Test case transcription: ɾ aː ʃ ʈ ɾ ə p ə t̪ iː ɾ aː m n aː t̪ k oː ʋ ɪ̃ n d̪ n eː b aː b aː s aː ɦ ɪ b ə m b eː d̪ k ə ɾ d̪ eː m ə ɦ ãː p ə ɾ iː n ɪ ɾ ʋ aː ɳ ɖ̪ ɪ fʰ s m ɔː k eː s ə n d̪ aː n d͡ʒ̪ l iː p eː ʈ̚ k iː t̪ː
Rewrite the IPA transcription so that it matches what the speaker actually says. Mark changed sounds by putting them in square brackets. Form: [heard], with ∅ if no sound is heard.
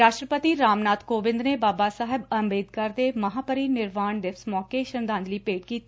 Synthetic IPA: ɾ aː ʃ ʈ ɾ ə p ə t̪ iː ɾ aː m n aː t̪ k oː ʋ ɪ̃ n d̪ n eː b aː b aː s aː ɦ ɪ b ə m b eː d̪ k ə ɾ d̪ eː m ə ɦ [aː] p ə ɾ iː n ɪ ɾ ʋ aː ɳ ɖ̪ ɪ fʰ s m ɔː k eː [ʃ] ə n d̪ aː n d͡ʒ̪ l iː p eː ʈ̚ k iː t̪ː